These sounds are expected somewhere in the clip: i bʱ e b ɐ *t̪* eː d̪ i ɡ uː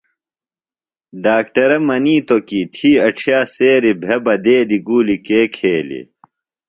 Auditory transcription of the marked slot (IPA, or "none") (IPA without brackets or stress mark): d̪